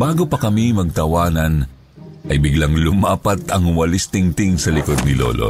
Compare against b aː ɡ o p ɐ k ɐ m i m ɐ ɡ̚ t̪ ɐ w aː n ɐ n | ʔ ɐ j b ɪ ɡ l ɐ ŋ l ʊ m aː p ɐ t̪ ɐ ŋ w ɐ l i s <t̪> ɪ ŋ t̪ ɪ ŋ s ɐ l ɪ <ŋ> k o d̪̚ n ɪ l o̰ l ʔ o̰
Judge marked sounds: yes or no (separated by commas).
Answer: yes, no